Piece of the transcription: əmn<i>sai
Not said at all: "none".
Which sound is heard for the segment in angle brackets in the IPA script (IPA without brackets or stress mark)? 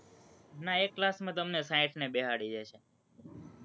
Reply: e